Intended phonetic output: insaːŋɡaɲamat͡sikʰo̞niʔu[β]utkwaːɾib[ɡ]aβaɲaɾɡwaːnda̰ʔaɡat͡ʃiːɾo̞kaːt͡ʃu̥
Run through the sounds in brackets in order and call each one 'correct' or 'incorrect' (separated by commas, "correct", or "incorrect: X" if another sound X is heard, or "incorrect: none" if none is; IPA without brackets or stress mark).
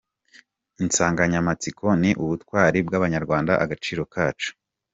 correct, correct